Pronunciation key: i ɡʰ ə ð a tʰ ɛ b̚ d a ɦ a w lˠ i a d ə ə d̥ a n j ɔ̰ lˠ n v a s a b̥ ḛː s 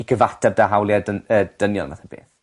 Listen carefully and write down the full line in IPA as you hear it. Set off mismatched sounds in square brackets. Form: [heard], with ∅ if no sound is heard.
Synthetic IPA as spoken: i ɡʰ ə [v] a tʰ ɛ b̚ d a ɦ a w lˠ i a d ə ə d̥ [ə] n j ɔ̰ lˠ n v a [θ] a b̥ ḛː [θ]